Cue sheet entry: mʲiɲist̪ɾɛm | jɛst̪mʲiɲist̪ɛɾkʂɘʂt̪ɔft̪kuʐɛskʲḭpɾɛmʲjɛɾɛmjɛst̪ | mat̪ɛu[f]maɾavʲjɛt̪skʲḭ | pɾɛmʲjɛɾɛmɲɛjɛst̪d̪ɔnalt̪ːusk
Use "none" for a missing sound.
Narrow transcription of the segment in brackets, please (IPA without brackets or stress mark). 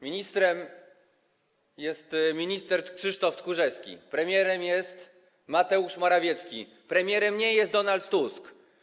ʂ